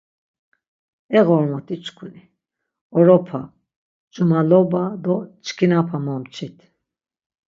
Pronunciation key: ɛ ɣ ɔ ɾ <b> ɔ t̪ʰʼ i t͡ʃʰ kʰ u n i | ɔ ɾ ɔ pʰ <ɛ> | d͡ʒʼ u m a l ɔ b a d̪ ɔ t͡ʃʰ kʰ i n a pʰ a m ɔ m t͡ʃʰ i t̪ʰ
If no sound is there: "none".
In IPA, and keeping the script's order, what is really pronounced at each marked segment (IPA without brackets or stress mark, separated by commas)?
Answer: m, a